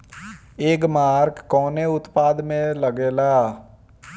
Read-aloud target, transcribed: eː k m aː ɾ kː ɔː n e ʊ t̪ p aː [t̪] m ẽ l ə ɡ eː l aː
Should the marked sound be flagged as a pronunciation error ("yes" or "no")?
yes